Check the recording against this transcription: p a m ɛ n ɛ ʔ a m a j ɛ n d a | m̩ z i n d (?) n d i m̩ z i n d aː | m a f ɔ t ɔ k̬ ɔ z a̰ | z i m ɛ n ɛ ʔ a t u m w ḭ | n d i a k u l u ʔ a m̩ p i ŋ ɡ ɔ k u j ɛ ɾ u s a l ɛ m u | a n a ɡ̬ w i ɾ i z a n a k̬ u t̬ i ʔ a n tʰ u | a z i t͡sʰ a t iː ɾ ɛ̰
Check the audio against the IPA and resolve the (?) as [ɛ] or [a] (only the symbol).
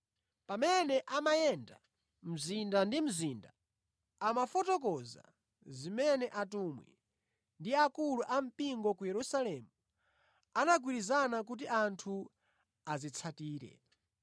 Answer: a